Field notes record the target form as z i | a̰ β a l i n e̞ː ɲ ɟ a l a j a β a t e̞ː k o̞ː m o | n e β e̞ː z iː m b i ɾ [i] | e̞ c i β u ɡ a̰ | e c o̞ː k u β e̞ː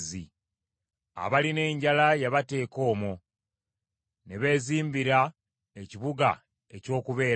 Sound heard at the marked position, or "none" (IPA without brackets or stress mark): a